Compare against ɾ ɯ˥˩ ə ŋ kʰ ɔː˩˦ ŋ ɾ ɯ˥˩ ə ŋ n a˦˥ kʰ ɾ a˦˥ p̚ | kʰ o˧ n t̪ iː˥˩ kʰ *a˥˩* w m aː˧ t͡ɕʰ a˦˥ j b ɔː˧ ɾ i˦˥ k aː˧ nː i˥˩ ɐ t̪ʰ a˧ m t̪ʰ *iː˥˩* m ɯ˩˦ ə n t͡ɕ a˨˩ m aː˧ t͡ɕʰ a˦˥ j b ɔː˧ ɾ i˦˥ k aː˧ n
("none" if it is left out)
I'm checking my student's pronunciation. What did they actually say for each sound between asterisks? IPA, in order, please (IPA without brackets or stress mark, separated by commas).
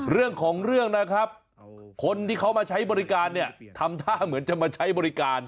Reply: a˦˥, aː˥˩